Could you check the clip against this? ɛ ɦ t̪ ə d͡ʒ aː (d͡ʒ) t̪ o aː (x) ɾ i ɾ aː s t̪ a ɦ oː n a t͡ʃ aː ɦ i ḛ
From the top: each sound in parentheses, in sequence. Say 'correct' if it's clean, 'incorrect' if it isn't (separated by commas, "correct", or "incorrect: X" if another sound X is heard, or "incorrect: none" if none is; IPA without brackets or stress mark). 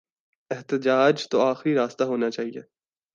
correct, correct